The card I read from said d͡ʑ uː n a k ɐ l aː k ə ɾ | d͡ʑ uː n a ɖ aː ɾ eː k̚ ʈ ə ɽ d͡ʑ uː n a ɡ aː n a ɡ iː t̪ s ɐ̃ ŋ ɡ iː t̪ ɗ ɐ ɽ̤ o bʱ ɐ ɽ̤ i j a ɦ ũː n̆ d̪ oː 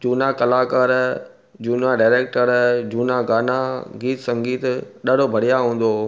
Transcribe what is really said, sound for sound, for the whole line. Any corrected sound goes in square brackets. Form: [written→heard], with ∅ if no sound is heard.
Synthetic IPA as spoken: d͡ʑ uː n a k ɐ l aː k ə ɾ | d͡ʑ uː n a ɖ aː ɾ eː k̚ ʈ ə [ɽ→ɾ] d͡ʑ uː n a ɡ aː n a ɡ iː t̪ s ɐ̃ ŋ ɡ iː t̪ ɗ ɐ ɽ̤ o bʱ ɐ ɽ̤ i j a ɦ ũː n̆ d̪ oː